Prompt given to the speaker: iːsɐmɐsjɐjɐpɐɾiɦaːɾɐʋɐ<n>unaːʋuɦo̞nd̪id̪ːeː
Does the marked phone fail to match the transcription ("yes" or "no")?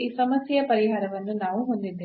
yes